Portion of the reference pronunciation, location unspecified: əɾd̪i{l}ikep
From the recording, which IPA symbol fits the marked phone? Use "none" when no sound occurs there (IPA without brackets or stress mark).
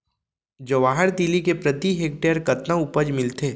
l